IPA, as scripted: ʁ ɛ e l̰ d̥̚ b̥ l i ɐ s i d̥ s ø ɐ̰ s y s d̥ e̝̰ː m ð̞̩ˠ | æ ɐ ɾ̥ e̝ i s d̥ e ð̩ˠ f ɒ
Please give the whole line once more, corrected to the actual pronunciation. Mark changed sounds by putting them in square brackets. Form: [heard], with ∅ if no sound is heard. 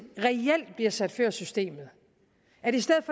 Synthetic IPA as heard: ʁ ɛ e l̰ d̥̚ b̥ l i ɐ s [æ] d̥ [f] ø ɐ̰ s y s d̥ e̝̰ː m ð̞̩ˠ | æ ɐ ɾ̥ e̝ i s d̥ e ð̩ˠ f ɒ